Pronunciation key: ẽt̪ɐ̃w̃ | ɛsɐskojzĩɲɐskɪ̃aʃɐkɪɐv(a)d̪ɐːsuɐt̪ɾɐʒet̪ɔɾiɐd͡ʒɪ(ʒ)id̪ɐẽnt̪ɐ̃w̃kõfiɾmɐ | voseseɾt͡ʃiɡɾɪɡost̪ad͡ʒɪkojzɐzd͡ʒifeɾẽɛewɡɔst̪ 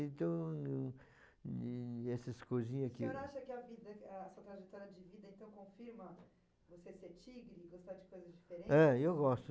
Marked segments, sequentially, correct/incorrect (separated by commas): incorrect, incorrect